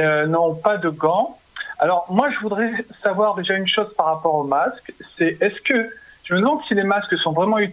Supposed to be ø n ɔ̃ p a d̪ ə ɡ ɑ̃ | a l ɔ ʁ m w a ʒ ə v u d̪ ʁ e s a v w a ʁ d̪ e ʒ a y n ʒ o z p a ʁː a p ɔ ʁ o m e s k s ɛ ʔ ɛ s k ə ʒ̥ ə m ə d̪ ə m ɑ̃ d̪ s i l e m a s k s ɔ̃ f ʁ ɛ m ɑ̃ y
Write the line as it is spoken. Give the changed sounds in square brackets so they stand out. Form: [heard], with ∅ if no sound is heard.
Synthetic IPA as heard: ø n ɔ̃ p a d̪ ə ɡ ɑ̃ | a l ɔ ʁ m w a ʒ ə v u d̪ ʁ [ɛ] s a v w a ʁ d̪ e ʒ a y n [ʃ] o z p a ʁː a p ɔ ʁ o m [a] s k s ɛ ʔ ɛ s k ə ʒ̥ ə m ə d̪ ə m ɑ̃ d̪ s i l e m a s k s ɔ̃ [v] ʁ ɛ m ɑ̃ y